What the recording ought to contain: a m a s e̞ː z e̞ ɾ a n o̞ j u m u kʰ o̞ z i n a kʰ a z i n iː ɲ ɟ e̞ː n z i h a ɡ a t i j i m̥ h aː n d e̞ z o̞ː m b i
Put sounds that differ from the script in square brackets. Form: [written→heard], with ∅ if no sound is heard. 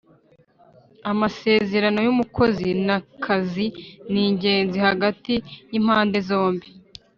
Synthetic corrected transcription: a m a s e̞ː z e̞ ɾ a n o̞ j u m u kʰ o̞ z i n a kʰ a z i n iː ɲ ɟ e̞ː n z i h a ɡ a t i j i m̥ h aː n d e̞ z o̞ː m b i